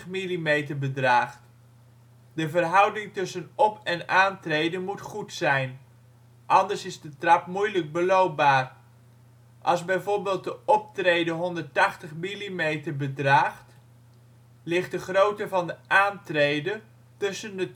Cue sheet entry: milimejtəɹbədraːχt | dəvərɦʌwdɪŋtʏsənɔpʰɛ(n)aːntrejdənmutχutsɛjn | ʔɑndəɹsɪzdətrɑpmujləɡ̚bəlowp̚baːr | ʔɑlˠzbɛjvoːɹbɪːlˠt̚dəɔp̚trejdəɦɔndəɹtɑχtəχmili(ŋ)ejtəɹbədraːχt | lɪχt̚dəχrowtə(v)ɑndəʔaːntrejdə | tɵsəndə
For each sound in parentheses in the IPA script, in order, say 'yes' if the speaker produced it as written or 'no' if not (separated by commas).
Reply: yes, no, yes